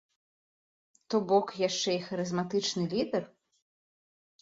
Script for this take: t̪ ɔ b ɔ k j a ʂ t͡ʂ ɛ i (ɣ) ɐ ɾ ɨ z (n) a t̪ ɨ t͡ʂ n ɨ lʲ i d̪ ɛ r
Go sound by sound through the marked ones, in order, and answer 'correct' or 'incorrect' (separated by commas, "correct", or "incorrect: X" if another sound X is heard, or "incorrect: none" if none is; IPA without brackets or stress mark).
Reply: incorrect: x, incorrect: m